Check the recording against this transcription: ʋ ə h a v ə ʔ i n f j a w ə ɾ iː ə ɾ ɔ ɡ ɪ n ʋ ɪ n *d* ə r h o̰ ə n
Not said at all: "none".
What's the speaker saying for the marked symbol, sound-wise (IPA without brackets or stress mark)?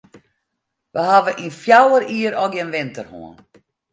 t